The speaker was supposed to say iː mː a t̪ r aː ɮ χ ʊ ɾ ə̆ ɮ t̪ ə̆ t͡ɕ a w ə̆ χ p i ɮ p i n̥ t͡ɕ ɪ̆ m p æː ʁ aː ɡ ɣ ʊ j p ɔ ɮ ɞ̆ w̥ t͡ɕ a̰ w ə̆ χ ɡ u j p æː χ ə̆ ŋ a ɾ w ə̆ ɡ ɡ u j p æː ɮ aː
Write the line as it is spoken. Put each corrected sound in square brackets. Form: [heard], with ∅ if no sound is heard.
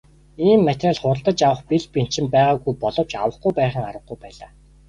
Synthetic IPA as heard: iː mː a t̪ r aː ɮ χ ʊ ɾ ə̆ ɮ t̪ ə̆ t͡ɕ a w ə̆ χ p i ɮ p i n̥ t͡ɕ ɪ̆ m p æː ʁ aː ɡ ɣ [u] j p ɔ ɮ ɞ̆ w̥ t͡ɕ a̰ w ə̆ χ ɡ u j p æː χ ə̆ ŋ a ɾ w ə̆ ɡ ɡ u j p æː ɮ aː